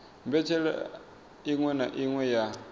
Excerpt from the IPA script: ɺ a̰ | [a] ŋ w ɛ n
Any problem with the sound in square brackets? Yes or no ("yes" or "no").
yes